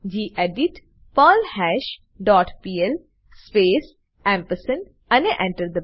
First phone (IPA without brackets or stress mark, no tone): d͡ʒ